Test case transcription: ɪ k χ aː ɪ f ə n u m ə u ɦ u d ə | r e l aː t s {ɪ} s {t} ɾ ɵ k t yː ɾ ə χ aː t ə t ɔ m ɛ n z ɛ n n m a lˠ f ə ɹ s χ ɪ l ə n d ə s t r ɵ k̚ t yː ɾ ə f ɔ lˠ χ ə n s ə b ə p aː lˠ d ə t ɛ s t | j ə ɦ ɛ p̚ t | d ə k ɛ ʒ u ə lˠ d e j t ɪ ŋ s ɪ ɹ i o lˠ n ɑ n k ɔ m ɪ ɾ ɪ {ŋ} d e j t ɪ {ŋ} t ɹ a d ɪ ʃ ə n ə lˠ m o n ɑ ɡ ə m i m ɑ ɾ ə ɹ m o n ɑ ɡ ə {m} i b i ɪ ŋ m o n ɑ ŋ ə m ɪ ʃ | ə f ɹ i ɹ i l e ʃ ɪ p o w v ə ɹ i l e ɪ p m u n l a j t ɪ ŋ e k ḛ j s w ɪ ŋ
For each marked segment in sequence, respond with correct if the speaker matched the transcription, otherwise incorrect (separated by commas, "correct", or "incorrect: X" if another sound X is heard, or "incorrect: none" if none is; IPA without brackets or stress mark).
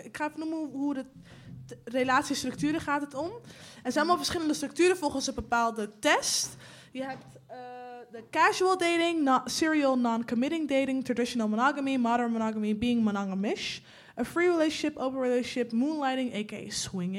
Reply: incorrect: i, correct, correct, correct, correct